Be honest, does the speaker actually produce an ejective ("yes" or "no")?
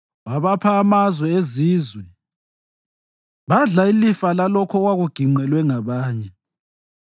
no